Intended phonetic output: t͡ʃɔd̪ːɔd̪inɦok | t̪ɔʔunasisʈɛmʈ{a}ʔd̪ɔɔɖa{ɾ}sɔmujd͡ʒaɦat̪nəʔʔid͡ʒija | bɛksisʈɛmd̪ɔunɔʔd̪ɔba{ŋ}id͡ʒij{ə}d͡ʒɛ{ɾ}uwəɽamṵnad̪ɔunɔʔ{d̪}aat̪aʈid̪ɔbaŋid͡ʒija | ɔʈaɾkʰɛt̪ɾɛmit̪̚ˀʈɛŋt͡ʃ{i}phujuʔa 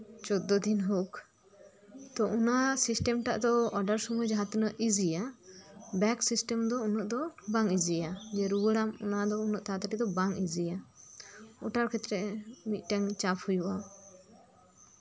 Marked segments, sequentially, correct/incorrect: correct, correct, correct, incorrect: a, correct, incorrect: t̪, incorrect: a

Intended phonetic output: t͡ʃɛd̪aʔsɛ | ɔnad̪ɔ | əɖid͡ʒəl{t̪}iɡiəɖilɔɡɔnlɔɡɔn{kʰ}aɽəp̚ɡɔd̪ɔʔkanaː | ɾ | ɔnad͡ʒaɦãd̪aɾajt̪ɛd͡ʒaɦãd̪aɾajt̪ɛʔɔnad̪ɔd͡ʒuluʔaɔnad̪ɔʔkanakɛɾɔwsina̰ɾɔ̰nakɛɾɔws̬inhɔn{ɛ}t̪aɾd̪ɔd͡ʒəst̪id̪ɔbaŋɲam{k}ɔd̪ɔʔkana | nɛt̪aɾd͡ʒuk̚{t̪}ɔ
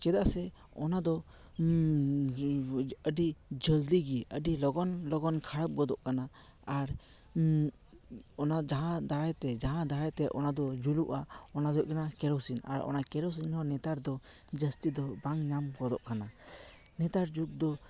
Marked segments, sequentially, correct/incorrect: incorrect: d̪, correct, correct, incorrect: ɡ, incorrect: d̪

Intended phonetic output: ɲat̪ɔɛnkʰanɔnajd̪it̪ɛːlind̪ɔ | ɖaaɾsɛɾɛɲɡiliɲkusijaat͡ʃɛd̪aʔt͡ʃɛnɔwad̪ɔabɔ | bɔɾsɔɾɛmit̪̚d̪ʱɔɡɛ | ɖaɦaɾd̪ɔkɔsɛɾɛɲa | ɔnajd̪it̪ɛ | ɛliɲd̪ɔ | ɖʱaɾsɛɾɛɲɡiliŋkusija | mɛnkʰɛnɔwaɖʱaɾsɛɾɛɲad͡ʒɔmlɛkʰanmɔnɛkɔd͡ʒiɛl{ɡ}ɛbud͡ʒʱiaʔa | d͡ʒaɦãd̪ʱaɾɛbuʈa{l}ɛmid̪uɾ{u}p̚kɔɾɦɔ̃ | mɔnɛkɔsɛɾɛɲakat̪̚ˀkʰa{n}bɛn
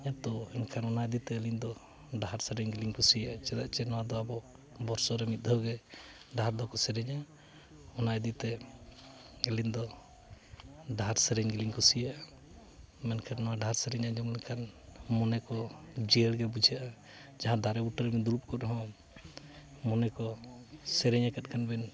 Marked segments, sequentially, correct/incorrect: correct, incorrect: ɾ, correct, correct

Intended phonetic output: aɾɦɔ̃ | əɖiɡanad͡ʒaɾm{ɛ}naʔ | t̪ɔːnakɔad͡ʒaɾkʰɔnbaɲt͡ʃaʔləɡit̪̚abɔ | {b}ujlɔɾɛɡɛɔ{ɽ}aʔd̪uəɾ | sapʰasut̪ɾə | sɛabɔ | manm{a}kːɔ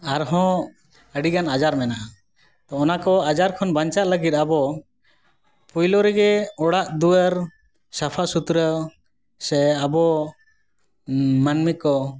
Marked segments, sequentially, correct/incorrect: correct, incorrect: p, correct, incorrect: i

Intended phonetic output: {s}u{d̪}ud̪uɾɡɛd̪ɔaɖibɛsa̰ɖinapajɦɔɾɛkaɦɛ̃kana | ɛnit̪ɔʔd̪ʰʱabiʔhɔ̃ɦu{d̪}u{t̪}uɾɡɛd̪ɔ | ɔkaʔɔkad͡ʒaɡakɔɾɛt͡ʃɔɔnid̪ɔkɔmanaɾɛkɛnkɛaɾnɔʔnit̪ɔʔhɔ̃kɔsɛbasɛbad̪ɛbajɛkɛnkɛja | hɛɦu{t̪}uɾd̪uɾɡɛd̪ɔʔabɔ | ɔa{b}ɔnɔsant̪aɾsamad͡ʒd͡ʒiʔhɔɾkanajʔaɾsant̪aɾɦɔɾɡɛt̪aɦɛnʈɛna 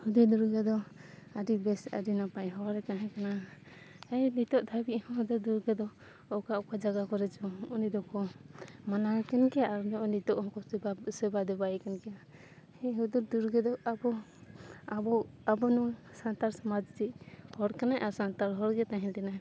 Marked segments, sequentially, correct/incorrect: incorrect: h, correct, correct, incorrect: d̪, incorrect: d̪, correct

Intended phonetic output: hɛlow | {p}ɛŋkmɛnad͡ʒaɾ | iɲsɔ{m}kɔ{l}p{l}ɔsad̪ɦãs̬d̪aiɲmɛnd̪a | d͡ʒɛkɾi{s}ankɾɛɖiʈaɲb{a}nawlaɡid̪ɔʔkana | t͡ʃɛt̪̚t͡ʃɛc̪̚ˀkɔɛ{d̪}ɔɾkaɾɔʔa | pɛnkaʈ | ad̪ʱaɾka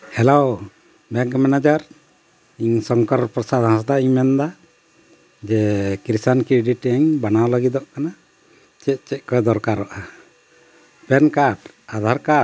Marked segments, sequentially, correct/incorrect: incorrect: b, incorrect: ŋ, incorrect: ɾ, incorrect: ɾ, correct, correct, correct

